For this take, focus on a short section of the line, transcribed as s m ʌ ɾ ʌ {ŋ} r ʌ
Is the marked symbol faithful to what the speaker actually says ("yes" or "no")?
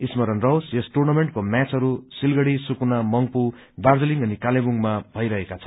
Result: no